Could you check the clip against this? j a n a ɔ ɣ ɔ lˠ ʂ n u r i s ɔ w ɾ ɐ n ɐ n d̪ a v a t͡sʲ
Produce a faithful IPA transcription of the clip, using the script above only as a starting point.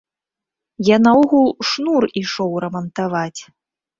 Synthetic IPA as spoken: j a n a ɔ ɣ u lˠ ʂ n u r i ʂ ɔ w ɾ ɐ m ɐ n t̪ a v a t͡sʲ